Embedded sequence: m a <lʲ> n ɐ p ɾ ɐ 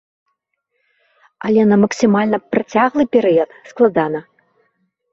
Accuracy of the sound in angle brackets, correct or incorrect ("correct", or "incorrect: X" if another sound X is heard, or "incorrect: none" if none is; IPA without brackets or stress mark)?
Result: correct